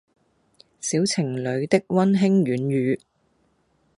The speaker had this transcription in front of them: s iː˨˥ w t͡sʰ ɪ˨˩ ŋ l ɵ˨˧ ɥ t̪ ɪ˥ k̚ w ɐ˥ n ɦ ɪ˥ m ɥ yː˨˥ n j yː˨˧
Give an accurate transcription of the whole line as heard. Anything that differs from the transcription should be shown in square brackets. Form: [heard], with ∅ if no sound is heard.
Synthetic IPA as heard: s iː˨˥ w t͡sʰ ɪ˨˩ ŋ l ɵ˨˧ ɥ t̪ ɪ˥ k̚ w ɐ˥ n ɦ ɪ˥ [ŋ] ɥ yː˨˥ n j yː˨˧